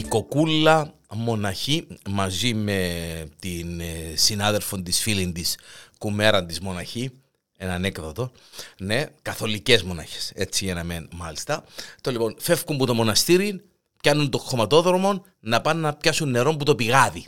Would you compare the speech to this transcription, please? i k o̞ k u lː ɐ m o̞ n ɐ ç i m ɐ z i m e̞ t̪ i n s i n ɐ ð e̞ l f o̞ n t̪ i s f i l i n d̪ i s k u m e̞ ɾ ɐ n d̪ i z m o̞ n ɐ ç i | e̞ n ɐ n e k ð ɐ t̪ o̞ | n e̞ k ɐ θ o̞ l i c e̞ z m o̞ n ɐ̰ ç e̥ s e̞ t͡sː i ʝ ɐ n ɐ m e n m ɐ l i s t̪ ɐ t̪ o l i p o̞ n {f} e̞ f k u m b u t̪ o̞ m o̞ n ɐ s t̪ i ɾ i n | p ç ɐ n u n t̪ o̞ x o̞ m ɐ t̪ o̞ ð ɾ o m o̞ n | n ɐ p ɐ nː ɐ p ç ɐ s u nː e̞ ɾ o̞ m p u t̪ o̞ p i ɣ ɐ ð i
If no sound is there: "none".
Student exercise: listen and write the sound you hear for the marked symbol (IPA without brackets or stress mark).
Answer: f